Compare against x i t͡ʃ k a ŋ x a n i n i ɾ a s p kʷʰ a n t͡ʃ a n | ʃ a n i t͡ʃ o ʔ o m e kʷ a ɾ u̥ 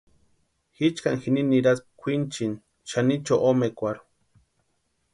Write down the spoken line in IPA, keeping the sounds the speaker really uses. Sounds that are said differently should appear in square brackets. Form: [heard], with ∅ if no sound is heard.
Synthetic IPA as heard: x i t͡ʃ k a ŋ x [i] n i n i ɾ a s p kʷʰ [i] n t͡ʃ [i] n | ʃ a n i t͡ʃ o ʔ o m e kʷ a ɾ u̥